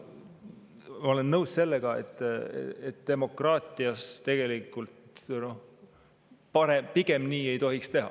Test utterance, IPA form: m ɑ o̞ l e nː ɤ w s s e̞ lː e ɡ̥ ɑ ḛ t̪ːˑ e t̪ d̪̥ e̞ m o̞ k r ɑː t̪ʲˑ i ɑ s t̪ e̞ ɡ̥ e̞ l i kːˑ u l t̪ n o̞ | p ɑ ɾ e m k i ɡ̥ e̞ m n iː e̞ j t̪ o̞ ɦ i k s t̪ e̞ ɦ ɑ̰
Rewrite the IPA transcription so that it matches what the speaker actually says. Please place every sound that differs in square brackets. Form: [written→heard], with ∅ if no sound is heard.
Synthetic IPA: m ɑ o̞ l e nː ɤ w s s e̞ lː e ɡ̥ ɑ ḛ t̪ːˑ e t̪ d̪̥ e̞ m o̞ k r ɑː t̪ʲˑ i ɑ s t̪ e̞ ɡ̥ e̞ l i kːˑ u l t̪ n o̞ | p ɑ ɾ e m [k→p] i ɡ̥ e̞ m n iː e̞ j t̪ o̞ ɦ i k s t̪ e̞ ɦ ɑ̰